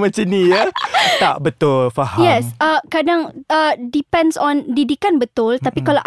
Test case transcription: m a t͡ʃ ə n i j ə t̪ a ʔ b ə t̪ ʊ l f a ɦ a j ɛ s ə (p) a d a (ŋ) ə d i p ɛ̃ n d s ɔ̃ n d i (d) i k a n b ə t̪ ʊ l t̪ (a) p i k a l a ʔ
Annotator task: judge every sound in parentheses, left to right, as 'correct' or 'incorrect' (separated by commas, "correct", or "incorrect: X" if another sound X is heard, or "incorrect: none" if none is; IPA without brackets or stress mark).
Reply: incorrect: k, correct, correct, correct